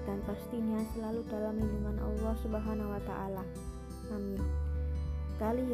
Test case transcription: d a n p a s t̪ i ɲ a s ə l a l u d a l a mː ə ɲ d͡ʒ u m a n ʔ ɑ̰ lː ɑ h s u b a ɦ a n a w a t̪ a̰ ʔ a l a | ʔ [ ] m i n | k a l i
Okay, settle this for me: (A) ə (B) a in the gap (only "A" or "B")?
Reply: B